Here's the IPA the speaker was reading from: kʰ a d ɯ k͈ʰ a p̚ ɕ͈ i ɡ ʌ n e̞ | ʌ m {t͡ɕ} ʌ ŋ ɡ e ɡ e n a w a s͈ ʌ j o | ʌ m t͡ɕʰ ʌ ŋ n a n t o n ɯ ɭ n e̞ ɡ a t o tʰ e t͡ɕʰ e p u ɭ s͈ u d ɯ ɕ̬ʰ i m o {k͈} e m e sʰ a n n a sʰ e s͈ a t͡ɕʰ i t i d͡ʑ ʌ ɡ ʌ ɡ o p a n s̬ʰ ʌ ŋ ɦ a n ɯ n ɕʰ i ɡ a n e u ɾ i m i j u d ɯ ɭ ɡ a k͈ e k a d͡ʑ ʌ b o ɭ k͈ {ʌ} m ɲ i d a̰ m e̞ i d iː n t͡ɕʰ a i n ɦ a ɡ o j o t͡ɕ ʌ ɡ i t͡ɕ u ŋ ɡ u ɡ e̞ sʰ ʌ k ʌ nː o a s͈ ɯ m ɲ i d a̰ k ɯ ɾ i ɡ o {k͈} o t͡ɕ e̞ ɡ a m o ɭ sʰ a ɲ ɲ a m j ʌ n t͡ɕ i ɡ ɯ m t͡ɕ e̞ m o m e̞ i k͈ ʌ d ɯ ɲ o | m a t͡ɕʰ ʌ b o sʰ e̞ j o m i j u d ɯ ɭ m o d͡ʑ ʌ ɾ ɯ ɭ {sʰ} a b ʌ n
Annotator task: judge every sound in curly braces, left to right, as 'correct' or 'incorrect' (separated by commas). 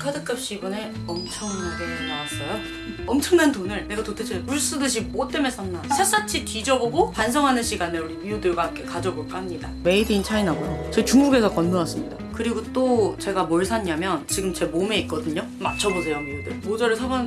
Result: incorrect, incorrect, incorrect, incorrect, correct